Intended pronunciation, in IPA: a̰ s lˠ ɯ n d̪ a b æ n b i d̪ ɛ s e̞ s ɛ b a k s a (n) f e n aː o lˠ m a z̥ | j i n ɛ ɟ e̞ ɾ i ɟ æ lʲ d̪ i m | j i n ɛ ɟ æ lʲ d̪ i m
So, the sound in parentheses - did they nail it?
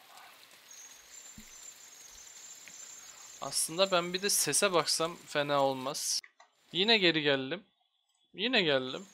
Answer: no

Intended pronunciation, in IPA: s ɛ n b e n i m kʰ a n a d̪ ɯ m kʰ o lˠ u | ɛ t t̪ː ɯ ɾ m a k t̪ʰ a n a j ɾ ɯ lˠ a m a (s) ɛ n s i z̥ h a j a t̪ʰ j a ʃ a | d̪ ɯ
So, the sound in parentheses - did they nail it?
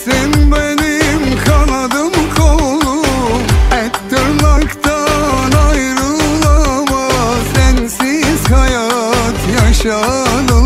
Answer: yes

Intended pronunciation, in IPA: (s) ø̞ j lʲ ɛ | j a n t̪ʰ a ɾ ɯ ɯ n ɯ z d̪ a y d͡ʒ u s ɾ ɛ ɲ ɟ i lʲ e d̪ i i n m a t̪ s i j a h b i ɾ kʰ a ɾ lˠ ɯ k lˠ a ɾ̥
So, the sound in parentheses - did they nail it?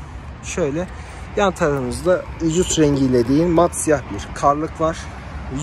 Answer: no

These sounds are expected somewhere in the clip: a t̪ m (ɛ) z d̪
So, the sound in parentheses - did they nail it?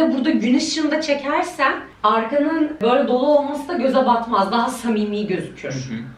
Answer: no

